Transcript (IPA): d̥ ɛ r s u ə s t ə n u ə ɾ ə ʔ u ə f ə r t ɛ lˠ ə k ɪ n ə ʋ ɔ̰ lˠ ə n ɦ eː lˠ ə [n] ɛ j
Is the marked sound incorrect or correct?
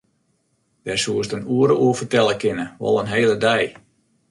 incorrect